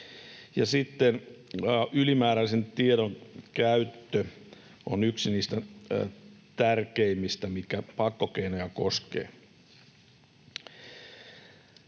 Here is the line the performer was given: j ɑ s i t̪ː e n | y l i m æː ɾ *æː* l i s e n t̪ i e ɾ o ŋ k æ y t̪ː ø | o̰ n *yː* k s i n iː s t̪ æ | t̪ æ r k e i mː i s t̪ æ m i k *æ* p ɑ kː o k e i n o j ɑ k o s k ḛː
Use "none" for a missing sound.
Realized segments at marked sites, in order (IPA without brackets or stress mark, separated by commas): æ, y, æ